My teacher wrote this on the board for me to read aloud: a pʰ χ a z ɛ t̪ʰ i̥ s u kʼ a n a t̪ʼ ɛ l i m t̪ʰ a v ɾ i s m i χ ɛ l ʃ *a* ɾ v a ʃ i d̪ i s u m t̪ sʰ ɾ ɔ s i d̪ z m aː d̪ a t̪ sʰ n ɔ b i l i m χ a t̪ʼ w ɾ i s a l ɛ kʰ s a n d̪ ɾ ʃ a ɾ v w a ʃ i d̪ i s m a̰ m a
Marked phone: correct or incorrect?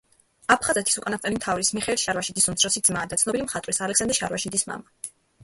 correct